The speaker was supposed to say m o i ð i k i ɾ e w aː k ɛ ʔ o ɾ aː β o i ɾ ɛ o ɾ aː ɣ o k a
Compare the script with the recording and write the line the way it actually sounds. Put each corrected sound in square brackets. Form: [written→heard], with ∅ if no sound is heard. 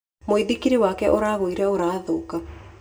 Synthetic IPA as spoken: m o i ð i k i ɾ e w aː k ɛ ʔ o ɾ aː β o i ɾ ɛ o ɾ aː [ɣ→ð] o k a